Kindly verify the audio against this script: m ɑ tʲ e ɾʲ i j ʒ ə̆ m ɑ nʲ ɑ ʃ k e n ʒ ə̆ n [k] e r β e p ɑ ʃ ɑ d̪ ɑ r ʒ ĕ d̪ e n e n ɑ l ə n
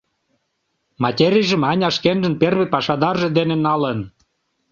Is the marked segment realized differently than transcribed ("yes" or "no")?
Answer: yes